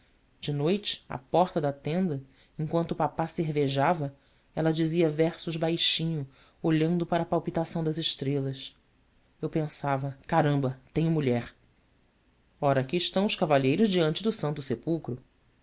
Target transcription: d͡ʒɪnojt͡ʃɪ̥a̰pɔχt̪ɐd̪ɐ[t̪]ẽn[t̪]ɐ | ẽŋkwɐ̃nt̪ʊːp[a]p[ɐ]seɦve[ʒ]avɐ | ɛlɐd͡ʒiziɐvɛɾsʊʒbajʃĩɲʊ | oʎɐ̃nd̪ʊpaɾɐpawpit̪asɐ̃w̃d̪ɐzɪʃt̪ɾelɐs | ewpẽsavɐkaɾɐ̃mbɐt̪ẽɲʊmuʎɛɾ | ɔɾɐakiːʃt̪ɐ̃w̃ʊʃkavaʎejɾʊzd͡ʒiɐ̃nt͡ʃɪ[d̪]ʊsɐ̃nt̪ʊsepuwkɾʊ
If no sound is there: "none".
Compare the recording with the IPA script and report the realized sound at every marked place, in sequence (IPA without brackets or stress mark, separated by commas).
t̪, d̪, a, a, ʒ, d̪